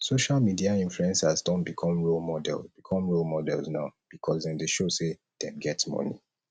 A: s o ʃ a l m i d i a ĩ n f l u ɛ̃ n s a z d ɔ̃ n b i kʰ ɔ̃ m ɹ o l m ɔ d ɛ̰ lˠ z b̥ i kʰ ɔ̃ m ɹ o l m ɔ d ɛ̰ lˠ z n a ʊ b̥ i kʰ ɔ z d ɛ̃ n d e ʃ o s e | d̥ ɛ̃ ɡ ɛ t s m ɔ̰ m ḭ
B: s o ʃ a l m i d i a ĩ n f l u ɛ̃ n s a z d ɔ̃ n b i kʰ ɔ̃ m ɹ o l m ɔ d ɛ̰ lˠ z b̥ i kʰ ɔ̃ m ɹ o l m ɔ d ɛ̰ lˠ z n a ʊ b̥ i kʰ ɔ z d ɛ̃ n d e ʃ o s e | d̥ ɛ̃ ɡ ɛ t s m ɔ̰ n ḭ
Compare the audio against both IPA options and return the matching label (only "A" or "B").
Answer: B